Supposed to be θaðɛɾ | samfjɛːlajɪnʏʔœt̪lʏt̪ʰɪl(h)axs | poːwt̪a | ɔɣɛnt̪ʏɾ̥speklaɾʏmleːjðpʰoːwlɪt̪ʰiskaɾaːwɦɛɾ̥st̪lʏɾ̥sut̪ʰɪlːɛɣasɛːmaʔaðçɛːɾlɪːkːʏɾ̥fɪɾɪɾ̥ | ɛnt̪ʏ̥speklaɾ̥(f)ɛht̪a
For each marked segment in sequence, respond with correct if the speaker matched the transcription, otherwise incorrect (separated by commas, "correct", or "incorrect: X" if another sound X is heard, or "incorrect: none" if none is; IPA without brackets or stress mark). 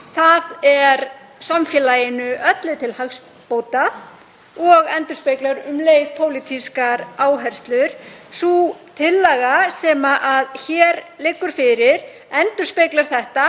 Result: correct, incorrect: θ